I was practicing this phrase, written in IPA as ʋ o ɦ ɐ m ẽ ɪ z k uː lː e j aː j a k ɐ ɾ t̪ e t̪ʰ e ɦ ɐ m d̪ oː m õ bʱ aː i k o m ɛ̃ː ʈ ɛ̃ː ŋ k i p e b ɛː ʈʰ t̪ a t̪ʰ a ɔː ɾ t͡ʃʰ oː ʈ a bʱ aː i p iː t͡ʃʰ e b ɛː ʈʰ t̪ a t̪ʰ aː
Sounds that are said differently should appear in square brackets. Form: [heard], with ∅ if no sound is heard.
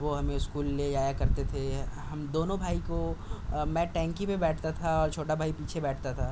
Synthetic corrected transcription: ʋ o ɦ ɐ m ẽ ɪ [s] k uː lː e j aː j a k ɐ ɾ t̪ e t̪ʰ e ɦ ɐ m d̪ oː [n] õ bʱ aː i k o m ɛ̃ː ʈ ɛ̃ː ŋ k i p e b ɛː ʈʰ t̪ a t̪ʰ a ɔː ɾ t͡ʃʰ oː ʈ a bʱ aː i p iː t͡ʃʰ e b ɛː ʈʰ t̪ a t̪ʰ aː